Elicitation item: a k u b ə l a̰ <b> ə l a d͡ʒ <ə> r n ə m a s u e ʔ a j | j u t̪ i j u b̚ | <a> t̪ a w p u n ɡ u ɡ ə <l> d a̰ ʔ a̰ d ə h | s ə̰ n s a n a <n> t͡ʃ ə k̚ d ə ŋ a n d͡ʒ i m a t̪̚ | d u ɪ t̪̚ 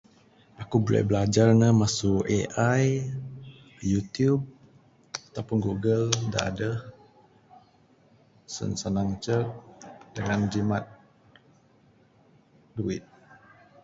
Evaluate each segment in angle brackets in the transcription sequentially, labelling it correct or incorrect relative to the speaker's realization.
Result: correct, incorrect: a, correct, correct, incorrect: ŋ

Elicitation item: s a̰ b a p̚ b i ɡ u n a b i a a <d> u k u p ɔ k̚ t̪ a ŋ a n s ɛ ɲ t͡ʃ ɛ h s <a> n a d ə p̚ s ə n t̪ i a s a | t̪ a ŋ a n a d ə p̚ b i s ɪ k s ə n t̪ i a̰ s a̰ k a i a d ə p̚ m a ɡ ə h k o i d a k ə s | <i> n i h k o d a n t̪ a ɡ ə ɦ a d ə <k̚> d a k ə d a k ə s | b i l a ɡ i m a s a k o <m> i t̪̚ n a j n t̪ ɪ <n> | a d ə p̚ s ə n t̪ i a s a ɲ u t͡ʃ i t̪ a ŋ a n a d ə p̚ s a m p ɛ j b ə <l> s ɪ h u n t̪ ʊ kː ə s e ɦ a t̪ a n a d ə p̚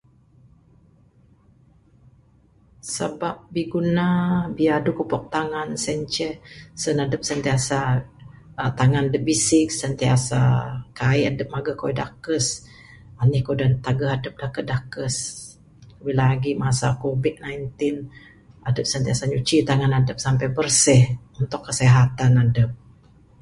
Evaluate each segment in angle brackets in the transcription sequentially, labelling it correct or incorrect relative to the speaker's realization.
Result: correct, incorrect: ə, incorrect: a, incorrect: p̚, incorrect: b, correct, incorrect: r

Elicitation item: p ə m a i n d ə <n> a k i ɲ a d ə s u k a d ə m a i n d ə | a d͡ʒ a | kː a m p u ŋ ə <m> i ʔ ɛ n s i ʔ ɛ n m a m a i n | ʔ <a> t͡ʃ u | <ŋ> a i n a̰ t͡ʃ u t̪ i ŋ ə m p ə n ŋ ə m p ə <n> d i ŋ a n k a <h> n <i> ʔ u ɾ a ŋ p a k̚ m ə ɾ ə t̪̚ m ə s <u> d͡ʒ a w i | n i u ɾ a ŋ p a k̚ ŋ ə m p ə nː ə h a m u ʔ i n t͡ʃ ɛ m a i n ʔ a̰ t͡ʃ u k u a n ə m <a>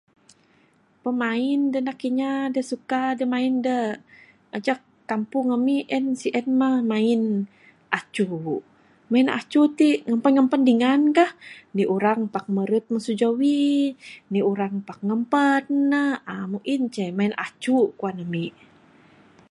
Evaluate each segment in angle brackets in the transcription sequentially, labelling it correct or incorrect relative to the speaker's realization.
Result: correct, correct, correct, incorrect: m, correct, correct, correct, correct, incorrect: i

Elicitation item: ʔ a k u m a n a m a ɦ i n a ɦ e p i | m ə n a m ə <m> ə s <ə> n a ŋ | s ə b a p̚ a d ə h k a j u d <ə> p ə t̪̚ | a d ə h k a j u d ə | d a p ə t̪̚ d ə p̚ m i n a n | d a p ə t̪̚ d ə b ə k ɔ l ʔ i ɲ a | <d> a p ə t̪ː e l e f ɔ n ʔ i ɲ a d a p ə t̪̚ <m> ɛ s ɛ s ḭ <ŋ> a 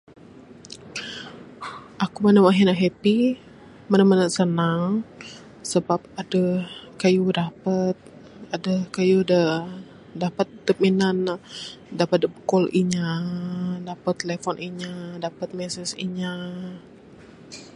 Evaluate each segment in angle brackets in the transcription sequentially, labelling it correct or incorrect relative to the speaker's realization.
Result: incorrect: n, correct, incorrect: a, correct, correct, incorrect: ɲ

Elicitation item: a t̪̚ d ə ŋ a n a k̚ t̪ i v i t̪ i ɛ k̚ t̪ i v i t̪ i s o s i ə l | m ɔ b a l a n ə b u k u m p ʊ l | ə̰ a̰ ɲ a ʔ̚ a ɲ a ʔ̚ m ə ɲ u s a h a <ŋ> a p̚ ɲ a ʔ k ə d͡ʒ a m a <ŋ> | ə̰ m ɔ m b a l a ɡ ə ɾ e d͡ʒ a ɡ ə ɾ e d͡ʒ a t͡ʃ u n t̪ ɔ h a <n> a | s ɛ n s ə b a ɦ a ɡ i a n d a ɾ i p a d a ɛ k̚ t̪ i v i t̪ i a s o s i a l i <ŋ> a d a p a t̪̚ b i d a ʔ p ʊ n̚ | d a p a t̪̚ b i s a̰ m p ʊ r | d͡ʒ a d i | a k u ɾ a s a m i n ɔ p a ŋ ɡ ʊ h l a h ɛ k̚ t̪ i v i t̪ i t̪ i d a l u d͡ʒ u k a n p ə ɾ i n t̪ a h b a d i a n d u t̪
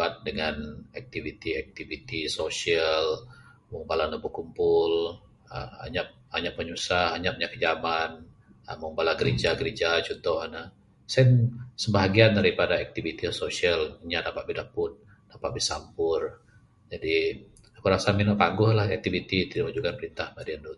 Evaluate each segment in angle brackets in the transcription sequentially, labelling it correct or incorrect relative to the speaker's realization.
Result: incorrect: ɲ, incorrect: n, correct, incorrect: ɲ

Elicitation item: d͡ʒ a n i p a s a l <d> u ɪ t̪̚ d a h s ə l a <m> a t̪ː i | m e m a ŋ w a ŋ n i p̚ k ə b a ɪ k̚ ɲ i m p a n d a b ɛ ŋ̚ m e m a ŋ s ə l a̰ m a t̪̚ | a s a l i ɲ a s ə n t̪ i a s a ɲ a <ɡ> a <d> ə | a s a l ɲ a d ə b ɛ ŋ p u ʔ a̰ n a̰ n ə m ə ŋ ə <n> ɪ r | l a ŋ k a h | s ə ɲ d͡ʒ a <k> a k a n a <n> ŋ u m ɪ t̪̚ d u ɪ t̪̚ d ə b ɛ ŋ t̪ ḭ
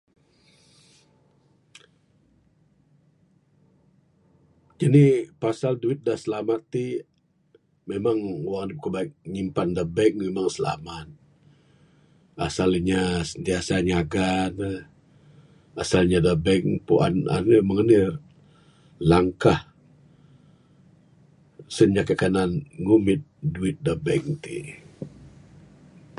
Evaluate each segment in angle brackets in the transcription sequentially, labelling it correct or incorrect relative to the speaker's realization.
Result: correct, correct, correct, incorrect: n, correct, correct, correct

